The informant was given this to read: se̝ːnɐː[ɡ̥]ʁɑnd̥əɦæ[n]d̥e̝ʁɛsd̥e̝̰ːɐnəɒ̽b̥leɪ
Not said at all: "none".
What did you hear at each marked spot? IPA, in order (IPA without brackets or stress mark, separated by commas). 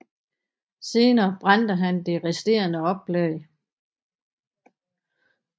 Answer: b̥, n